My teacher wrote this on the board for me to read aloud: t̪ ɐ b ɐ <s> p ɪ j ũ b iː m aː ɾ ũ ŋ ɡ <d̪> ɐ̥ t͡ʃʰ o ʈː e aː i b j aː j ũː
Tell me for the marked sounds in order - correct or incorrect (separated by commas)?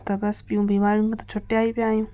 correct, incorrect